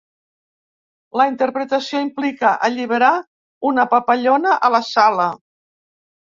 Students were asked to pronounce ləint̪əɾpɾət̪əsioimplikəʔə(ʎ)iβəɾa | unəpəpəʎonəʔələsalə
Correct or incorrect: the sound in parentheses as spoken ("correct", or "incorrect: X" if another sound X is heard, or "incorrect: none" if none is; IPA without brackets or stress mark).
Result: correct